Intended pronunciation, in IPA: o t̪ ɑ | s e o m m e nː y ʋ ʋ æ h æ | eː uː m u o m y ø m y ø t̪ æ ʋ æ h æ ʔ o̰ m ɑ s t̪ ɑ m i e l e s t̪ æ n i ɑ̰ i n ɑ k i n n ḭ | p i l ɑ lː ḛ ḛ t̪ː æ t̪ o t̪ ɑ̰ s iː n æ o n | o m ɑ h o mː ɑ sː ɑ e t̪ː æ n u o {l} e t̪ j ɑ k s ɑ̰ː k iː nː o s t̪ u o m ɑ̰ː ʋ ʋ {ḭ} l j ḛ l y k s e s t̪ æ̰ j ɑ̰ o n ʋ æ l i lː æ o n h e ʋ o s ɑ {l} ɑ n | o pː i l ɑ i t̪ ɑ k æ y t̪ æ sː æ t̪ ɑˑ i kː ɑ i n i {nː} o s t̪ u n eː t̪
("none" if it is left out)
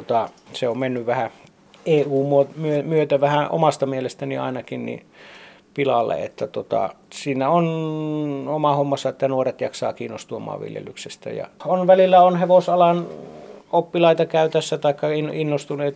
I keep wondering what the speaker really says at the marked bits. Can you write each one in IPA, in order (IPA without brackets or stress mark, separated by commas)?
r, ḭ, l, nː